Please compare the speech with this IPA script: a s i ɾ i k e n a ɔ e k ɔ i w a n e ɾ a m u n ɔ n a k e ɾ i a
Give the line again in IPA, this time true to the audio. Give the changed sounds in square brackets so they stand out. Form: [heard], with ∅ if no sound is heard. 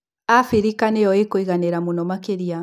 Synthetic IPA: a [f] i ɾ i k [a] n [e] ɔ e k [o] i [ɣ] a n e ɾ a m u n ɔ [m] a k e ɾ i a